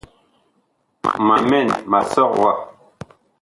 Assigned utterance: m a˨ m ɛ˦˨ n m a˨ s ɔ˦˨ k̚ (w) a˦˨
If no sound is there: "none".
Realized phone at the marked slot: w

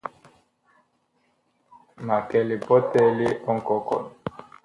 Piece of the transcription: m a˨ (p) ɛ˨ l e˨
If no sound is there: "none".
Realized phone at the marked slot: k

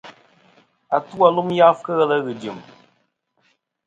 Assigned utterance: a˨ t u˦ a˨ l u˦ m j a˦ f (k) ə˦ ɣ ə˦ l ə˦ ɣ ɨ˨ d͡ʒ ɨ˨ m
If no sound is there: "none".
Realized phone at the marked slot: k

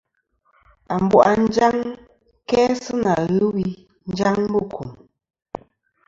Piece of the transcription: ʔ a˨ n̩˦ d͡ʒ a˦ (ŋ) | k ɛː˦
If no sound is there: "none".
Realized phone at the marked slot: ŋ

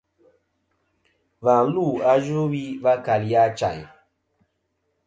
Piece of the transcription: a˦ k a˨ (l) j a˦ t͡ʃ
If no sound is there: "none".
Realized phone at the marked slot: l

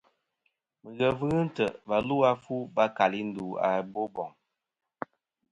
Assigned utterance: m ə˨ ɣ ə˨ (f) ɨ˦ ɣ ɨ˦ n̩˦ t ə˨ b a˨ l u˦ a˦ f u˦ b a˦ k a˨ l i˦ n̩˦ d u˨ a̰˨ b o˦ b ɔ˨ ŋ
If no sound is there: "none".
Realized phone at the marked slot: v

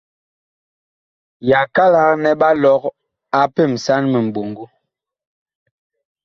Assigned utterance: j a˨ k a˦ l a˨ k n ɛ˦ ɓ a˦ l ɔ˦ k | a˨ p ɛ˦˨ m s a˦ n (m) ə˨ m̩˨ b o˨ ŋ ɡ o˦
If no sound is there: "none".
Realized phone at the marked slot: m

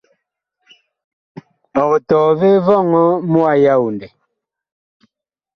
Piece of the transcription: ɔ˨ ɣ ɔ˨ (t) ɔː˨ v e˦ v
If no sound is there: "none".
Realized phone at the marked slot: t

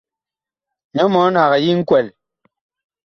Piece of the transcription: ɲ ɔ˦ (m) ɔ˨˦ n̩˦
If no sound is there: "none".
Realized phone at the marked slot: m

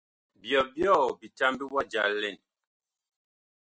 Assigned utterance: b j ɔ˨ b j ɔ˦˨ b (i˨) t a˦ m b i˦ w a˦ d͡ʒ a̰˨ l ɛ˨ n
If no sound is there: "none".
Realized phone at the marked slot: i˨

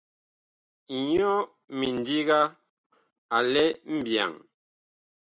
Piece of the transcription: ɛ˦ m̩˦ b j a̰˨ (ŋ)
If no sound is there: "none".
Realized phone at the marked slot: ŋ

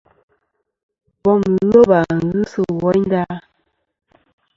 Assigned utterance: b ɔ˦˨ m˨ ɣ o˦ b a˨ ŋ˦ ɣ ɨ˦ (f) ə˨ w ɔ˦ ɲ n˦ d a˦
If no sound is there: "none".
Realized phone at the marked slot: s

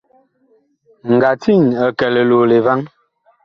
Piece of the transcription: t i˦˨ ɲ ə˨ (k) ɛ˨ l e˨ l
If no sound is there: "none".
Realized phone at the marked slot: k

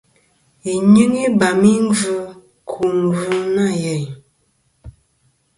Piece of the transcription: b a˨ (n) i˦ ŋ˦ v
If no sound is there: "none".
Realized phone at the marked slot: m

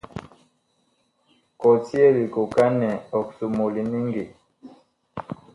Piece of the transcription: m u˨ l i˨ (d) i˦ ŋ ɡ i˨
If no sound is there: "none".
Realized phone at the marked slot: n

